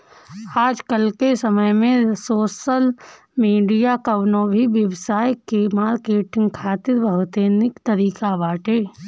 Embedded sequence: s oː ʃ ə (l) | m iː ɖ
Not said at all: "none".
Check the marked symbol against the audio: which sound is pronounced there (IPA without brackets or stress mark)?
l